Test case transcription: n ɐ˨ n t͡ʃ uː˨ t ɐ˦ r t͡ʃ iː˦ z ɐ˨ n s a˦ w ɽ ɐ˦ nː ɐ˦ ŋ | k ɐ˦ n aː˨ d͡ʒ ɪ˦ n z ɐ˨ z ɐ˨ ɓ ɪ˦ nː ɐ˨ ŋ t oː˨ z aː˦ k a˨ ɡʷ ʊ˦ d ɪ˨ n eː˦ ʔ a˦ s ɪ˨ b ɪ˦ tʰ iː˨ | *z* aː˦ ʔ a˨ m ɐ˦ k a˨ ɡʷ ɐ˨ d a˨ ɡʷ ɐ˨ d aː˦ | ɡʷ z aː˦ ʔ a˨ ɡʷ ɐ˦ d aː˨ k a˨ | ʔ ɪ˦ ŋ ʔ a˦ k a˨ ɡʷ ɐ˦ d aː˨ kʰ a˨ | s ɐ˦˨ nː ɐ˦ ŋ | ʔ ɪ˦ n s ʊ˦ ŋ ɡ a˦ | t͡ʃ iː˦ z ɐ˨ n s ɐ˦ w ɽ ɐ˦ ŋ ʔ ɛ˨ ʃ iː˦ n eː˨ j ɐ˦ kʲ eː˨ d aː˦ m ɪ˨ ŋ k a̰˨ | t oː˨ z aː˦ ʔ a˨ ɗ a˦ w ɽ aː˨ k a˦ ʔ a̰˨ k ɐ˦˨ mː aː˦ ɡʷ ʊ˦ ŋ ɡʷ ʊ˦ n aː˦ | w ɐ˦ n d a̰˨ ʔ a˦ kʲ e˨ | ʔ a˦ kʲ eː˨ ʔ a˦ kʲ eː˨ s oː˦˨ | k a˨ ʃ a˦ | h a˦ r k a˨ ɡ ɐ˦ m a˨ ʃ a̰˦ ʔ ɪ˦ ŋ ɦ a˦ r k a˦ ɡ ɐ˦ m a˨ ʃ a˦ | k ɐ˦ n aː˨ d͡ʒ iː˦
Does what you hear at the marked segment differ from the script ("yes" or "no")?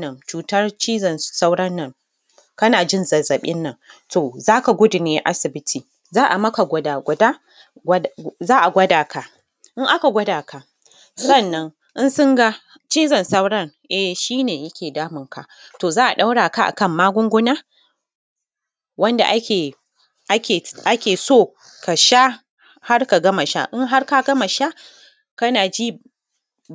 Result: no